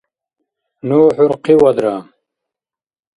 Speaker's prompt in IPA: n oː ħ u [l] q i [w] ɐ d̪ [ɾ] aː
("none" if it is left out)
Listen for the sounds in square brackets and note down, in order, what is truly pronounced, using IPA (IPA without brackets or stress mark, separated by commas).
ɾ, w, ɾ